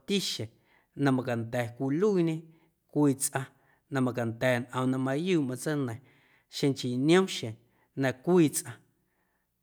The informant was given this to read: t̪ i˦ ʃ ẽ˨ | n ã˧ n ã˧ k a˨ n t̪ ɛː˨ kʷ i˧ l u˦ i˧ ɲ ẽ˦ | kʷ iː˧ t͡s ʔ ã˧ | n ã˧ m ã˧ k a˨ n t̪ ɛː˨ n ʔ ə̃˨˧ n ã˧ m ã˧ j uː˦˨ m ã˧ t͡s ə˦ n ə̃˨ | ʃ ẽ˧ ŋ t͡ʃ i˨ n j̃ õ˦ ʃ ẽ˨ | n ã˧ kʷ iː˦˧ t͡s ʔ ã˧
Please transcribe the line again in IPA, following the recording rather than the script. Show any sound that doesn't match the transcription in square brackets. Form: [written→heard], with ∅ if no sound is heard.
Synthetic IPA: t̪ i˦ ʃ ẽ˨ | n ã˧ [n→m] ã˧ k a˨ n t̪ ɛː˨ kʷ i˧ l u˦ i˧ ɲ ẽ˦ | kʷ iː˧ t͡s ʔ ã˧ | n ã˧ m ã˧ k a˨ n t̪ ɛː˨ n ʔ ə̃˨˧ n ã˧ m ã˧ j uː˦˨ m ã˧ t͡s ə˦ n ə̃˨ | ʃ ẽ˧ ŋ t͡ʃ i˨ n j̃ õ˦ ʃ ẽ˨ | n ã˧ kʷ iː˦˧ t͡s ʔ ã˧